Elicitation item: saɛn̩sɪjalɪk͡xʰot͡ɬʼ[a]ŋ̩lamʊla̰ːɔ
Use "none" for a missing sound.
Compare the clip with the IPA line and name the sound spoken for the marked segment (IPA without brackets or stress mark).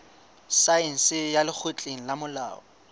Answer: e